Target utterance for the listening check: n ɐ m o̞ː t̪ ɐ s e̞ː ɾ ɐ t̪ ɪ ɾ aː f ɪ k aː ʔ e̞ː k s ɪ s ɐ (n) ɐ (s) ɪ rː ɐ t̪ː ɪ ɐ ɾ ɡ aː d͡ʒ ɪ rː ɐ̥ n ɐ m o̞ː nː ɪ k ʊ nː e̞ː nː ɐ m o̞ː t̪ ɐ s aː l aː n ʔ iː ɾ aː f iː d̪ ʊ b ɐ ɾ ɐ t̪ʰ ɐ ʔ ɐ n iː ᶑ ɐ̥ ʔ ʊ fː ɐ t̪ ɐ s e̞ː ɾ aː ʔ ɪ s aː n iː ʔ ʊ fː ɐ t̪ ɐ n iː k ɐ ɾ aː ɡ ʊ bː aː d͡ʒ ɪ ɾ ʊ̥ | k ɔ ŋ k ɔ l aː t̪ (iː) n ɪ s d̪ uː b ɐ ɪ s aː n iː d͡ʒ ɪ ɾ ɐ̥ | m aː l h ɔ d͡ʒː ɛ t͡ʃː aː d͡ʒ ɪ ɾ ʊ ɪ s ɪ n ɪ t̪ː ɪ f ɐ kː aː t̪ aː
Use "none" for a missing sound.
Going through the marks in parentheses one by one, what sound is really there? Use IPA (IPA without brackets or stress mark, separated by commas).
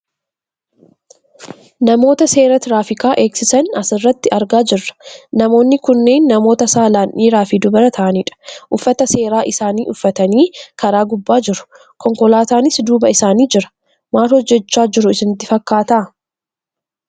n, s, aː